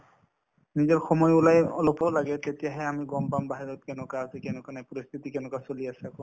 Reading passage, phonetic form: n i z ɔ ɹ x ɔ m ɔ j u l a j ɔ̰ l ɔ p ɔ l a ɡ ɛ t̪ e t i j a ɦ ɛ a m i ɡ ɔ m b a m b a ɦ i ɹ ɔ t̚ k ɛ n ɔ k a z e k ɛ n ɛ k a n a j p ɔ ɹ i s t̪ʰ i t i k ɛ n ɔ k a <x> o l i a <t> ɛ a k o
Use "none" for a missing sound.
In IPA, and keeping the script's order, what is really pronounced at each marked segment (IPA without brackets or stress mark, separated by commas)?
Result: s, s